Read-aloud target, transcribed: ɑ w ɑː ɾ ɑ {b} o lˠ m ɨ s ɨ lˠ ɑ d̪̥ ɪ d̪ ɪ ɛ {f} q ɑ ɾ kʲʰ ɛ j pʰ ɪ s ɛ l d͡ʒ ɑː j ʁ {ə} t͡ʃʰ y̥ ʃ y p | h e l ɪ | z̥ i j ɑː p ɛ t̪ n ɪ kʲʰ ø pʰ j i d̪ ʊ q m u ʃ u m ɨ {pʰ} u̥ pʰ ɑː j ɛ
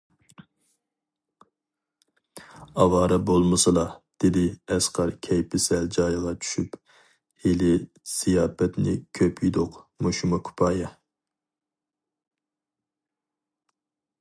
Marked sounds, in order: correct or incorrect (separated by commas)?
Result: correct, incorrect, incorrect, incorrect